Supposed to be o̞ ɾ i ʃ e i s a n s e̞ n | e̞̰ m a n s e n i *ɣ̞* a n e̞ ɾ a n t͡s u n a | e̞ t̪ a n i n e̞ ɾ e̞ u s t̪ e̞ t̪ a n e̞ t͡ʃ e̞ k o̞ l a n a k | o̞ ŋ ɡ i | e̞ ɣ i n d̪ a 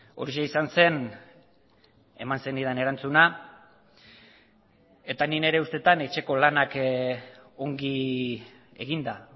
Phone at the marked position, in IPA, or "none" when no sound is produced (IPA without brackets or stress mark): ð̞